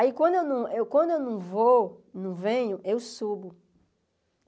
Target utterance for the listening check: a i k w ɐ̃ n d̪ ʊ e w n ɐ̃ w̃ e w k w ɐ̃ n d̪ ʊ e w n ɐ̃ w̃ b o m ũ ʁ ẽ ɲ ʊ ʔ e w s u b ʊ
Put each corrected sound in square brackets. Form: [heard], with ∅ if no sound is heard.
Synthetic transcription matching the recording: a i k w ɐ̃ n d̪ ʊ e w n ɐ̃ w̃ e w k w ɐ̃ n d̪ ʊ e w n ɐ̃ w̃ [v] o [n] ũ [v] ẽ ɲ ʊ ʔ e w s u b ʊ